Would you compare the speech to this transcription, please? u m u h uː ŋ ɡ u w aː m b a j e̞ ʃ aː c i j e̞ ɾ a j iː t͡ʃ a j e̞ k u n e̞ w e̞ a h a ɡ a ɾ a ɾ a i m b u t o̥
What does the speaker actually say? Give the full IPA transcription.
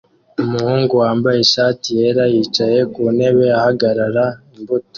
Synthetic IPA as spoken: u m u h uː ŋ ɡ u w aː m b a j e̞ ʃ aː t i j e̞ ɾ a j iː t͡ʃ a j e̞ k u n e̞ β e̞ a h a ɡ a ɾ a ɾ a i m b u t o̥